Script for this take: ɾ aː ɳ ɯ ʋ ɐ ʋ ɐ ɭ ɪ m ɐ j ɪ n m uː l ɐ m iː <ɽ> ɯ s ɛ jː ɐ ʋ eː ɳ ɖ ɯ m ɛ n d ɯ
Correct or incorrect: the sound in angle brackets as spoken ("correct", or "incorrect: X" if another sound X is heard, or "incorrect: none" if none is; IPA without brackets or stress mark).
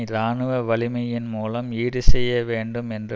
correct